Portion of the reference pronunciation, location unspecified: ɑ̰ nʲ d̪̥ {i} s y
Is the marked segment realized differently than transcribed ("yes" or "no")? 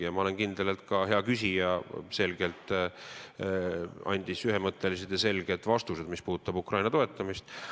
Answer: no